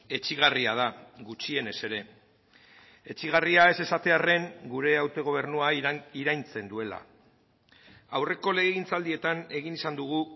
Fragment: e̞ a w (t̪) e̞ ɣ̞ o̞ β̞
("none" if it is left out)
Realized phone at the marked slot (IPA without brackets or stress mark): t̪